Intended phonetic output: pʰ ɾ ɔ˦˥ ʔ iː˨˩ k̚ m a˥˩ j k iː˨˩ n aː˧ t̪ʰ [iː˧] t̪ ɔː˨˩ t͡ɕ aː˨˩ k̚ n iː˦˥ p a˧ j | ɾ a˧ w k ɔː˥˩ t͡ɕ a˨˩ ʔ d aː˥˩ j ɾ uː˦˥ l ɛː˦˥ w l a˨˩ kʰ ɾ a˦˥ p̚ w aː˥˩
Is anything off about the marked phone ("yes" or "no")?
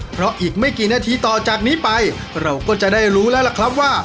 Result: no